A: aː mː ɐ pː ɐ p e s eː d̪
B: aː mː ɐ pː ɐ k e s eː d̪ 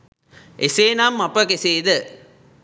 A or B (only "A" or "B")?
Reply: B